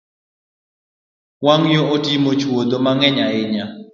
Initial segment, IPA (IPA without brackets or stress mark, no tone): w